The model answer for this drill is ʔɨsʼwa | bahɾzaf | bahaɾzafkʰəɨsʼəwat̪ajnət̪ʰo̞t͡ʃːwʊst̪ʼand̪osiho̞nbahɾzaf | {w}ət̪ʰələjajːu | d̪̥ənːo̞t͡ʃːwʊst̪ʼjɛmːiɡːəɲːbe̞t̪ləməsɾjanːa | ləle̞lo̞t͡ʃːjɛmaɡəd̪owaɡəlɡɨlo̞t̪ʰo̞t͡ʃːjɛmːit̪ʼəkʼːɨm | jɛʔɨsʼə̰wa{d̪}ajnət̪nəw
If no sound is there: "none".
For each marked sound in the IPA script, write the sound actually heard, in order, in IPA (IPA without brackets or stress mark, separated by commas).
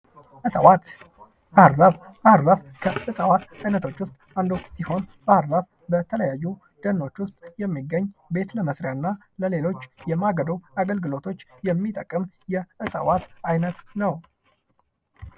b, t̪